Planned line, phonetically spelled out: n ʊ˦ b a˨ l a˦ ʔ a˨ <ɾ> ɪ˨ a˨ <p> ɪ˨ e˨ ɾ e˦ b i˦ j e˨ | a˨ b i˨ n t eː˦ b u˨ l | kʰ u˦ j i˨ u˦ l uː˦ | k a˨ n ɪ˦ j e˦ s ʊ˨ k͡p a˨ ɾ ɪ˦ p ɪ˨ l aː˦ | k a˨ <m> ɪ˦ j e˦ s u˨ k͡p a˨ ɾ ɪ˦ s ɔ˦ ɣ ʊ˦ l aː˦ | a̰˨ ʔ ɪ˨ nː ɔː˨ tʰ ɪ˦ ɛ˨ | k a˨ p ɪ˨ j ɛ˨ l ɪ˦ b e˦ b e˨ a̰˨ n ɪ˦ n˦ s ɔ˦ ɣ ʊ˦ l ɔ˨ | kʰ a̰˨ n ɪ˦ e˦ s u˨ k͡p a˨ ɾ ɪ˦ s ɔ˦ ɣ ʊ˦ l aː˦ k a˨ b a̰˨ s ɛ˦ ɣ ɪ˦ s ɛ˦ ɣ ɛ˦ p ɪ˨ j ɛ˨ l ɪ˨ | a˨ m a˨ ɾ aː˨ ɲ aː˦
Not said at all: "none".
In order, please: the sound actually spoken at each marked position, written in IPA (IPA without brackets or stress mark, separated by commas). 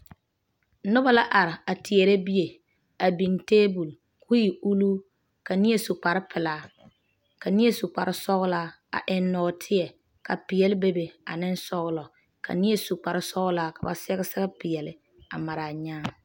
ɾ, t, n